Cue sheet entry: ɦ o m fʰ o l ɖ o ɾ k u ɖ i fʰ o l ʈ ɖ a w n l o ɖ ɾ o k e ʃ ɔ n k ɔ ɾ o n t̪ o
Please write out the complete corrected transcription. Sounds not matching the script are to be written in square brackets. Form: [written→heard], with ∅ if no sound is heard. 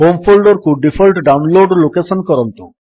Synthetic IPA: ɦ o m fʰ o l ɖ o ɾ k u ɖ i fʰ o l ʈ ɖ a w n l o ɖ [ɾ→l] o k e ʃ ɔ n k ɔ ɾ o n t̪ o